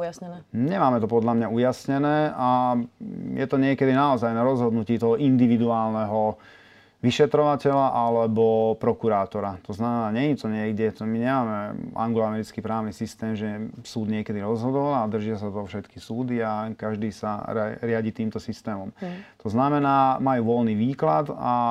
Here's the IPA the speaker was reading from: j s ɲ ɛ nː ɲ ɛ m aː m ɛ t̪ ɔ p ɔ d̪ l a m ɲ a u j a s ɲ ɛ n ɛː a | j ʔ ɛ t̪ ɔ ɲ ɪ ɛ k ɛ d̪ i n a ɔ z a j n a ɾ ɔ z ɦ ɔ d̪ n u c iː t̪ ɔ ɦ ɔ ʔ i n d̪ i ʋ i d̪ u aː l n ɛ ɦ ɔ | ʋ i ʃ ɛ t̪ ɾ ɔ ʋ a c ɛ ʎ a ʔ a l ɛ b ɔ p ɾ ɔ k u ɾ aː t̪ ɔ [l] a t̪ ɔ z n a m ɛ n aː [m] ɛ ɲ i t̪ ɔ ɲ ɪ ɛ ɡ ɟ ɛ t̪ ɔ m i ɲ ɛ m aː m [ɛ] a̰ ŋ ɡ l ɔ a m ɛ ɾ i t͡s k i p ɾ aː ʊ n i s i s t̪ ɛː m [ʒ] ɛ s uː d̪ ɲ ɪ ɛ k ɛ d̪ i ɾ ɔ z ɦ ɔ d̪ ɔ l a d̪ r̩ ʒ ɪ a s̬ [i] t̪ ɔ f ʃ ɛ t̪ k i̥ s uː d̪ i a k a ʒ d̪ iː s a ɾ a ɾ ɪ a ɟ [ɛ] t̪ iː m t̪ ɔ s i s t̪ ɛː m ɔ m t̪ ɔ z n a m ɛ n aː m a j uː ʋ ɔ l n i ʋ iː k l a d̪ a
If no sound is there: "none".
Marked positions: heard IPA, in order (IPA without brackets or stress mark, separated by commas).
ɾ, ɲ, ɛ, ʒ, a, i